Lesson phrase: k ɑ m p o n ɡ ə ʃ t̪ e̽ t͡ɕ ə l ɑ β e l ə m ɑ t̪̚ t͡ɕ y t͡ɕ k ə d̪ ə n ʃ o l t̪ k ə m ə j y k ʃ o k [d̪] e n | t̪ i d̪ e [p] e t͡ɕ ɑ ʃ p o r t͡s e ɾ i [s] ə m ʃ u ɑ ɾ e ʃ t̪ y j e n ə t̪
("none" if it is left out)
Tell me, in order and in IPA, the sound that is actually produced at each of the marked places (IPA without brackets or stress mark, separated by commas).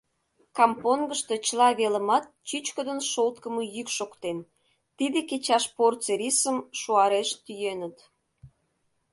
t̪, k, s